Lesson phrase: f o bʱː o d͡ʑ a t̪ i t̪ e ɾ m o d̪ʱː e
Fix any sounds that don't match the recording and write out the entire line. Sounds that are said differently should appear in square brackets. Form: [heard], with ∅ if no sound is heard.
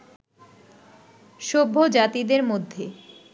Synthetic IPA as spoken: [ʃ] o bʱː o d͡ʑ a t̪ i [d̪] e ɾ m o d̪ʱː e